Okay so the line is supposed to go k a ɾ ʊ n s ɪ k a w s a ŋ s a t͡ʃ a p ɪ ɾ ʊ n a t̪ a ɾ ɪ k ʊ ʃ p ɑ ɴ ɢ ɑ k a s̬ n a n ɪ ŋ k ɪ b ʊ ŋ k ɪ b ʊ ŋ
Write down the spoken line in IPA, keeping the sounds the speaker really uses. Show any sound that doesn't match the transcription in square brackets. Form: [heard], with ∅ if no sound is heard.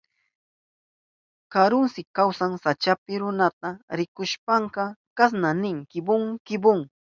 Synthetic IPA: k a ɾ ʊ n s ɪ k a w s a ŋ s a t͡ʃ a p ɪ ɾ ʊ n a t̪ a ɾ ɪ k ʊ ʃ p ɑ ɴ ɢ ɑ k a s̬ n a n ɪ ŋ k ɪ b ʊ ŋ k ɪ b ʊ ŋ